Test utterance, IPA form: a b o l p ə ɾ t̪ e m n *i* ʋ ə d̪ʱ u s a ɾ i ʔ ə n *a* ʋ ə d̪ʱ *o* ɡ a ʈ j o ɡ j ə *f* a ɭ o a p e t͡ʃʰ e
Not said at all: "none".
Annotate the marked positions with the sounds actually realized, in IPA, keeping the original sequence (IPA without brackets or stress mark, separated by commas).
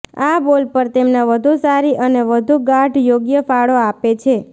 a, e, u, f